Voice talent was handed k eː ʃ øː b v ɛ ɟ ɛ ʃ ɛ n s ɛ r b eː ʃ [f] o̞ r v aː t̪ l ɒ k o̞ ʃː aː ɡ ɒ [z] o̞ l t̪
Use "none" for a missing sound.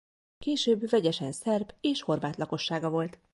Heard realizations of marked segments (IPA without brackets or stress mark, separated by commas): h, v